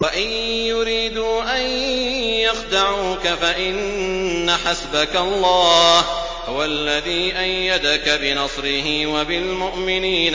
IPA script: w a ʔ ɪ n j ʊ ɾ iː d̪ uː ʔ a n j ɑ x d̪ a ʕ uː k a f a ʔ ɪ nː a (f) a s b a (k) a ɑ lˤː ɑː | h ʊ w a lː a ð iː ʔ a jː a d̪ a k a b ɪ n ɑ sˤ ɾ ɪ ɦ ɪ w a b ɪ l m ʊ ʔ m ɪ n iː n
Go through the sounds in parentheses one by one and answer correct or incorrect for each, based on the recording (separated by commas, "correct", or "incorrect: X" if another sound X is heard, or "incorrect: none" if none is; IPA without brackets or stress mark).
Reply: incorrect: ħ, correct